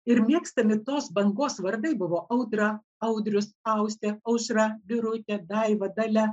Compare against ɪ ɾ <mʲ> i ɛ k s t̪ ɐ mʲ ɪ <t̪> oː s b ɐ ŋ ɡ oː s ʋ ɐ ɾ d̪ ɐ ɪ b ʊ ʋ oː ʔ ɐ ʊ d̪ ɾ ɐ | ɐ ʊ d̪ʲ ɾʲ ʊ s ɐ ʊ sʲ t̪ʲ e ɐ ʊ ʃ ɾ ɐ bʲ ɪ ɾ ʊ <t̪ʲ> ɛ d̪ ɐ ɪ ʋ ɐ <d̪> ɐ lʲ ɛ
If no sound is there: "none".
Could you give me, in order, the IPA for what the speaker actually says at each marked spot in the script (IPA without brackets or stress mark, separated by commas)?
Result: mʲ, t̪, t̪ʲ, d̪